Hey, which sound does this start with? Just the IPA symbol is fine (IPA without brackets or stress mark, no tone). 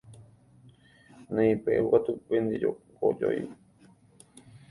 n